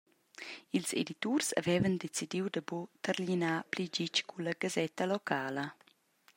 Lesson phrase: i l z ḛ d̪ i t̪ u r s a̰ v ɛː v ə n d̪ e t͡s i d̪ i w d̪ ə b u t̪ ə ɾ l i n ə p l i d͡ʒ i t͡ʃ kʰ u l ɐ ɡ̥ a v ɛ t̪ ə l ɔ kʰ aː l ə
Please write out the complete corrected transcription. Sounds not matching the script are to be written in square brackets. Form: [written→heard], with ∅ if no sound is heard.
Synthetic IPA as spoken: i l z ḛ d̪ i t̪ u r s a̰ v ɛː v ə n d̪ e t͡s i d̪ i w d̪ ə b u t̪ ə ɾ l i n [ə→a] p l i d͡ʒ i t͡ʃ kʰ u l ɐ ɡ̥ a [v→z] ɛ t̪ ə l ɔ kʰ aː l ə